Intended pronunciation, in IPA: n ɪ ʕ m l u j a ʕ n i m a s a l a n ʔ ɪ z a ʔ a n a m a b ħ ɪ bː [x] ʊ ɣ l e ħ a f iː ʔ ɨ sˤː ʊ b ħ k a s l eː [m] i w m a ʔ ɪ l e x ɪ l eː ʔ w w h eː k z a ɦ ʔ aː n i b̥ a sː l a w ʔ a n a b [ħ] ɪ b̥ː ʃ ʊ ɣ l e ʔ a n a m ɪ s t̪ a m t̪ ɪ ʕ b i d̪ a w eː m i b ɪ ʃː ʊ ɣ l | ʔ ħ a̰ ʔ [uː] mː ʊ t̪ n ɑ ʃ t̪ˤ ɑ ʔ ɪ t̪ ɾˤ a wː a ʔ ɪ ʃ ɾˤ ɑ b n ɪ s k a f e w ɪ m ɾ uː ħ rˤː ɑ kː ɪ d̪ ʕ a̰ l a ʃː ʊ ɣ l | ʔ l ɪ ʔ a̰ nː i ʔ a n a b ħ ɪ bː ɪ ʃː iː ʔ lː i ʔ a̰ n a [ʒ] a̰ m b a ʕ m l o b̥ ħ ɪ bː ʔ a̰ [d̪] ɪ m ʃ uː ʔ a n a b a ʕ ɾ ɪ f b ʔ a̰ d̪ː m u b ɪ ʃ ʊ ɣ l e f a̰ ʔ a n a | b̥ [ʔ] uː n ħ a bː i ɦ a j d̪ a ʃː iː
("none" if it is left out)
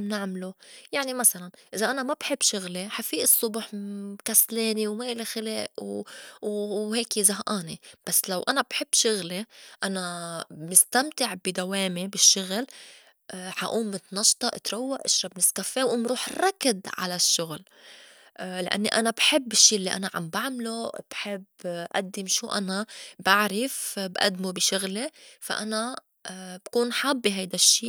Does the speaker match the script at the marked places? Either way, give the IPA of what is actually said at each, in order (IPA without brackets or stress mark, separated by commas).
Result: ʃ, n, ħ, uː, ʕ, d̪ː, k